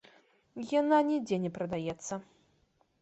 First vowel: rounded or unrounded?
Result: unrounded